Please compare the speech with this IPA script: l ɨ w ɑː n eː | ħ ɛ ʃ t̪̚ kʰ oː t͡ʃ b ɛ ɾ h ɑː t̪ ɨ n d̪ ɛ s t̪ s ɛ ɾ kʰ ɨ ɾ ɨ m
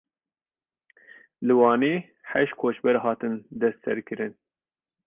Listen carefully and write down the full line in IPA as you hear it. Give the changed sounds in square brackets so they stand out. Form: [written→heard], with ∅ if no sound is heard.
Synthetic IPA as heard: l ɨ w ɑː n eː | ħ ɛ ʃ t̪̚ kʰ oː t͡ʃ b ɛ ɾ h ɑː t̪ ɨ n d̪ ɛ s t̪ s ɛ ɾ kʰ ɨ ɾ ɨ [m→n]

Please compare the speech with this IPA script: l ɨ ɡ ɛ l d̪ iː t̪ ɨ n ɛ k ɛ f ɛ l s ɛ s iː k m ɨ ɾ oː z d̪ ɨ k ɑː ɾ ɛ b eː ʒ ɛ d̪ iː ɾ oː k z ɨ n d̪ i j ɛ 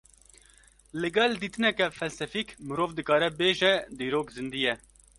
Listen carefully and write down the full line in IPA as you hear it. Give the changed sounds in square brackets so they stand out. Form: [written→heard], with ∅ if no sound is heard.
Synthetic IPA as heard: l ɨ ɡ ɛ l d̪ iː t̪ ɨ n ɛ k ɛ f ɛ l s ɛ [s→f] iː k m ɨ ɾ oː [z→v] d̪ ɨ k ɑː ɾ ɛ b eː ʒ ɛ d̪ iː ɾ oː k z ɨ n d̪ i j ɛ

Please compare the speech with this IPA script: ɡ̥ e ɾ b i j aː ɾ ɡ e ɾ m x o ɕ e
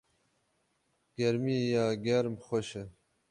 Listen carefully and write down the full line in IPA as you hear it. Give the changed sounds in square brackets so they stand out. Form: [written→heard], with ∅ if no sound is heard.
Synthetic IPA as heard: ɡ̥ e ɾ [b→m] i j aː [ɾ→∅] ɡ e ɾ m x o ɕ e

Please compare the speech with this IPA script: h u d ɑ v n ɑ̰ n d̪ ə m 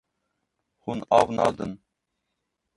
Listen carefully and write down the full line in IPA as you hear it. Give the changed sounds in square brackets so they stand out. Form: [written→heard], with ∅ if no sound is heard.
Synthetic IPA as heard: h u [d→n] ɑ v n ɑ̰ [n→∅] d̪ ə [m→n]

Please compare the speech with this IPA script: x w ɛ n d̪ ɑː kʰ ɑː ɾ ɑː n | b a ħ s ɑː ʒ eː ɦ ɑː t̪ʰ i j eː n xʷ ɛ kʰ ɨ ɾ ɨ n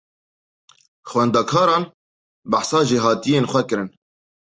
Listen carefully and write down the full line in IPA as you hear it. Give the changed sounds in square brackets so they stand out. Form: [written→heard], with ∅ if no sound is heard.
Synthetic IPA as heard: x w ɛ n d̪ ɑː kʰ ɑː ɾ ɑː n | b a ħ s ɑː ʒ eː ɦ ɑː [t̪ʰ→t̪] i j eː n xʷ ɛ [kʰ→k] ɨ ɾ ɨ n

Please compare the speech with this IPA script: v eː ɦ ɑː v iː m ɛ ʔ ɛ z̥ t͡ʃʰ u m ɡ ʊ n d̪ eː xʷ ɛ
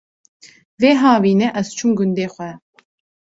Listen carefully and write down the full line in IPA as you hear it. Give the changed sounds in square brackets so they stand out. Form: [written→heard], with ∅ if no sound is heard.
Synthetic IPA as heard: v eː ɦ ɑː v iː [m→n] ɛ ʔ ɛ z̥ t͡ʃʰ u m ɡ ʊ n d̪ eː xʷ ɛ

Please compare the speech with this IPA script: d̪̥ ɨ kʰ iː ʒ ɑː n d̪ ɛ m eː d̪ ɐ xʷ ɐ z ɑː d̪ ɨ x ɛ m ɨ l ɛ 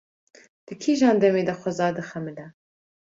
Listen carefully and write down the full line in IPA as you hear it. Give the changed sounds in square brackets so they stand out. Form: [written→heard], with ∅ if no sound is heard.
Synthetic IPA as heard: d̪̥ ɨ kʰ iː ʒ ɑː n d̪ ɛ m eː d̪ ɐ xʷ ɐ z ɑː d̪ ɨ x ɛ m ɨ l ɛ

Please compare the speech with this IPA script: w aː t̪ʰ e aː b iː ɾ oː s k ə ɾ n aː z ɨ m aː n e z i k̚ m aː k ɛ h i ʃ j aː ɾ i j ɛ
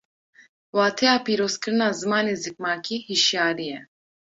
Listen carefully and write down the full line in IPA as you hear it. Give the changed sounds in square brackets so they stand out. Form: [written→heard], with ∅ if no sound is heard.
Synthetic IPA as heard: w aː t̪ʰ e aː [b→p] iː ɾ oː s k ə ɾ n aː z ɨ m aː n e z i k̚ m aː k [ɛ→i] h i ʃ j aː ɾ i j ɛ

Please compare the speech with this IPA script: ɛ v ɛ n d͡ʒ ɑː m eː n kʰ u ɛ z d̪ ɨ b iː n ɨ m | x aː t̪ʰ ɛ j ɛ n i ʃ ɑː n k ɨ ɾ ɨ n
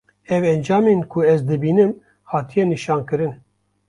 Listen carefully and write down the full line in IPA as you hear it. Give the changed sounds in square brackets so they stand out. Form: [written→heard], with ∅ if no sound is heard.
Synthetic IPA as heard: ɛ v ɛ n d͡ʒ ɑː m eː n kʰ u ɛ z d̪ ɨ b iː n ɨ m | [x→h] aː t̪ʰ [ɛ→i] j ɛ n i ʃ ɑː n k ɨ ɾ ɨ n

